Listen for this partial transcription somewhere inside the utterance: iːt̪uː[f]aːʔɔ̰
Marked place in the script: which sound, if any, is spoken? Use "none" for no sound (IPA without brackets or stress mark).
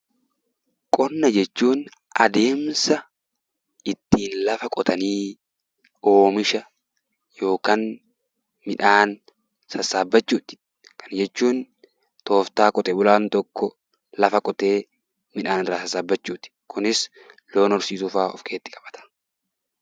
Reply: f